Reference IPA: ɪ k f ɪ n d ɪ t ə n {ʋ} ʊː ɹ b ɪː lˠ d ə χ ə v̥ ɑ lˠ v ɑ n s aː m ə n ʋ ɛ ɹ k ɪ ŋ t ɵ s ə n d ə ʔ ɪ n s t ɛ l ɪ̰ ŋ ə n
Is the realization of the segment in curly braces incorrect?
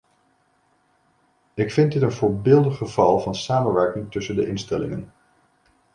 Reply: yes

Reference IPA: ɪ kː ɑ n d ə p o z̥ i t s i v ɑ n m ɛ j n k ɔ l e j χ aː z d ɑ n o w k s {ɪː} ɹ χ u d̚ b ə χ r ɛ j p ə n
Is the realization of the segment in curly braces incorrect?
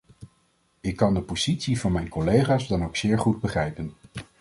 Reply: no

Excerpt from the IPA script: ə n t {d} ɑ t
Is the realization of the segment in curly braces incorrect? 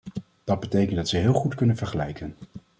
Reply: no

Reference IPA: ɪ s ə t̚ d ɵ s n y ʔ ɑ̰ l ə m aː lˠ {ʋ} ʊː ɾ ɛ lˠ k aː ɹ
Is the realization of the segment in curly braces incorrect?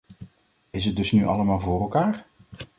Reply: yes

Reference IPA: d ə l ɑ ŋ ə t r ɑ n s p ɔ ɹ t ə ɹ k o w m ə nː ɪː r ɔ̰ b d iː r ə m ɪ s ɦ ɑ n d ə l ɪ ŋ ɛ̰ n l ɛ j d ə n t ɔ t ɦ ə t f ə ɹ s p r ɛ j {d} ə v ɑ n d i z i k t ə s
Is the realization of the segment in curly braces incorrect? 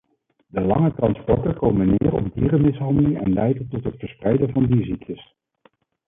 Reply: no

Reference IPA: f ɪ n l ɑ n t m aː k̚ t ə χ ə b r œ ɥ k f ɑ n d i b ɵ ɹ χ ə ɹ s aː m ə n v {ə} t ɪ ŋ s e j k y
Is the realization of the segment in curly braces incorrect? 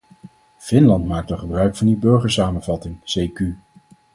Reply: yes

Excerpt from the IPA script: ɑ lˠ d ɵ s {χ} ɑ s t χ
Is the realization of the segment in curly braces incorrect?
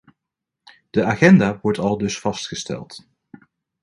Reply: yes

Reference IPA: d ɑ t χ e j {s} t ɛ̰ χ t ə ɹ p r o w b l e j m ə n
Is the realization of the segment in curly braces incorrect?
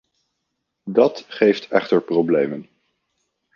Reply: yes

